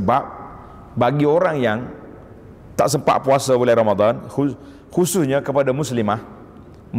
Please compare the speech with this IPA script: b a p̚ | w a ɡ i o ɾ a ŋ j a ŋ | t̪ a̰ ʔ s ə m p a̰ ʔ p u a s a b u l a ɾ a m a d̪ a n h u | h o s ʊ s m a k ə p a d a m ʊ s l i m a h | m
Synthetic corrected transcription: b a p̚ | b a ɡ i o ɾ a ŋ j a ŋ | t̪ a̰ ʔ s ə m p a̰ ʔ p u a s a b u l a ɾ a m a d̪ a n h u | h u s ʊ s ɲ a k ə p a d a m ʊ s l i m a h | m